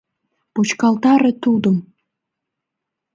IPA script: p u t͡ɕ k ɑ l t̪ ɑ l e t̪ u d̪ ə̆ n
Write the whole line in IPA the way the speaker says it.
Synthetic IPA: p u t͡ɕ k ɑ l t̪ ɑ ɾ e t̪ u d̪ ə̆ m